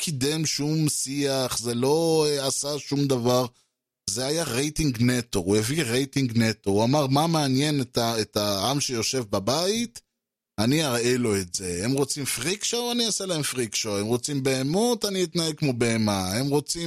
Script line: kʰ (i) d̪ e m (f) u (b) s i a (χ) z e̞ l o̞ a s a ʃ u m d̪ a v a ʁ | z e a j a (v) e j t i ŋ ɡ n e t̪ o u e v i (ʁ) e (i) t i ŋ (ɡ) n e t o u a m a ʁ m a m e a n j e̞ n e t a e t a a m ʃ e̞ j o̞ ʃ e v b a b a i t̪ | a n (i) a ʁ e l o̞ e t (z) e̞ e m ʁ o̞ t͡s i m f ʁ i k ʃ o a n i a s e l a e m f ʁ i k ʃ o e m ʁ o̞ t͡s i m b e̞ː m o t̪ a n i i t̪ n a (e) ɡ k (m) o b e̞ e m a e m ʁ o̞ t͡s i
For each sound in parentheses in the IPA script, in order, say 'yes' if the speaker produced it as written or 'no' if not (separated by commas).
yes, no, no, yes, no, yes, no, yes, yes, yes, yes, yes